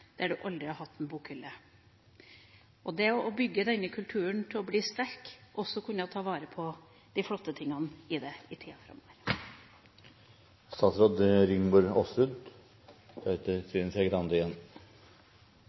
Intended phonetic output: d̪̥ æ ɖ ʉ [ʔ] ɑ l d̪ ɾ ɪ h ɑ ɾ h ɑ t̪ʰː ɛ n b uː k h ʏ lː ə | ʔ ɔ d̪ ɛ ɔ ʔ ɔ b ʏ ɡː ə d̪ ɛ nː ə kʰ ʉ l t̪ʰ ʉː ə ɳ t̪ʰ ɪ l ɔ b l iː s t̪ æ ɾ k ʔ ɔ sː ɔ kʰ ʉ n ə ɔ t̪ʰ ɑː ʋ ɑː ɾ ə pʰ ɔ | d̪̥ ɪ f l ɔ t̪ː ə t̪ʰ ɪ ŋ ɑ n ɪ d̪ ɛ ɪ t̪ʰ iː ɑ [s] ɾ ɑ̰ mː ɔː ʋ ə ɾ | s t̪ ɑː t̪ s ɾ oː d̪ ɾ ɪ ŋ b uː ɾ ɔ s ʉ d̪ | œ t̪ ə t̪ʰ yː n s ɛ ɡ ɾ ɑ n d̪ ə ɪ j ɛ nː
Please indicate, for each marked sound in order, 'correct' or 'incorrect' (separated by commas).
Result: correct, incorrect